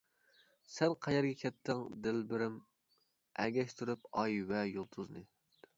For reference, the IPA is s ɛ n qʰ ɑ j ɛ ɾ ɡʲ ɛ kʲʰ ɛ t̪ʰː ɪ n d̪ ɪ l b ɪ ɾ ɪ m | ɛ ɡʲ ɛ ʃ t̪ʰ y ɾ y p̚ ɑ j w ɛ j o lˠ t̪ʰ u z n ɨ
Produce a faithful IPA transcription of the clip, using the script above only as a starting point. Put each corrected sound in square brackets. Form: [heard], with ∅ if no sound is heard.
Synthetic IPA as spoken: s ɛ n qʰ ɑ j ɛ ɾ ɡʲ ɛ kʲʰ ɛ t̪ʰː ɪ [ŋ] d̪ ɪ l b ɪ ɾ ɪ m | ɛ ɡʲ ɛ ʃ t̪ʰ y ɾ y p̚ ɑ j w ɛ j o lˠ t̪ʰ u z n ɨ